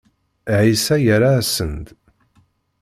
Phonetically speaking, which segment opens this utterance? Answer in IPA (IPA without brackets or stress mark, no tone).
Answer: ʕ